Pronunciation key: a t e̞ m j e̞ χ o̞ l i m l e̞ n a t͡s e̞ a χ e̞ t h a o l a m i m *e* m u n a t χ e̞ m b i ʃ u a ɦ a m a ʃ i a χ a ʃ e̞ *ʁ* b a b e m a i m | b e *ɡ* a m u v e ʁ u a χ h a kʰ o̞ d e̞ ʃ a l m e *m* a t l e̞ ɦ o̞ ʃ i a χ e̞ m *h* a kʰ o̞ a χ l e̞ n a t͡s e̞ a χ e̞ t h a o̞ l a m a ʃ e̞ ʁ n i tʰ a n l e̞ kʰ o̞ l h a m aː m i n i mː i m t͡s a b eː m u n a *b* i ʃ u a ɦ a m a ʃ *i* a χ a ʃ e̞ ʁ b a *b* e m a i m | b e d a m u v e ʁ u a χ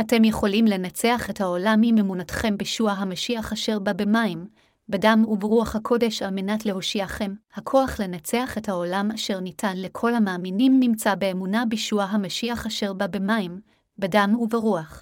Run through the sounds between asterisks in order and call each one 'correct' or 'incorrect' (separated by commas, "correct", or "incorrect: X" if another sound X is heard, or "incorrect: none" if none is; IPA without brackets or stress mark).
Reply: correct, correct, incorrect: d, incorrect: n, correct, correct, correct, correct